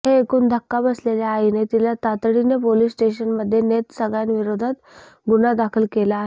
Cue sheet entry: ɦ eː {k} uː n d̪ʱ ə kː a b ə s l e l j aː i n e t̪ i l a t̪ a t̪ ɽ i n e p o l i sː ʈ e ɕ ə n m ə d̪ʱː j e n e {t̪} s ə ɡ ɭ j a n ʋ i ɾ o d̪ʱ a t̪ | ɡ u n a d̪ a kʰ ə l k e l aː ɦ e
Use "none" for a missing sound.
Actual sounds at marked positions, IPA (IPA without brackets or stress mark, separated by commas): k, t̪